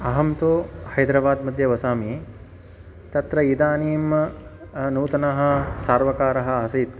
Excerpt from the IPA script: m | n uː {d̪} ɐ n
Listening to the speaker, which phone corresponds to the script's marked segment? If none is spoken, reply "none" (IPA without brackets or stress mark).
t̪